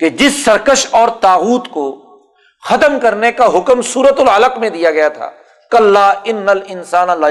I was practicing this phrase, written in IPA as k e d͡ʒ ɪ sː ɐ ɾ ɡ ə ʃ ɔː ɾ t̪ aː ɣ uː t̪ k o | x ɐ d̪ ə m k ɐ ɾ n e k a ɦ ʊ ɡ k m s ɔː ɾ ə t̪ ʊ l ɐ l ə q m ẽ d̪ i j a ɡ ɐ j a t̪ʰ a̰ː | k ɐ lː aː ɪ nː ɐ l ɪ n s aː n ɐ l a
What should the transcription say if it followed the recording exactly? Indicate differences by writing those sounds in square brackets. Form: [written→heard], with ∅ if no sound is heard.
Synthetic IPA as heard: k e d͡ʒ ɪ sː ɐ ɾ [ɡ→k] ə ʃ ɔː ɾ t̪ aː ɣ uː t̪ k o | x ɐ [d̪→t̪] ə m k ɐ ɾ n e k a ɦ ʊ [ɡ→∅] k m s [ɔː→uː] ɾ ə t̪ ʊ l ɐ l ə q m ẽ d̪ i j a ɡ ɐ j a t̪ʰ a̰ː | k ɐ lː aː ɪ nː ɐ l ɪ n s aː n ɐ l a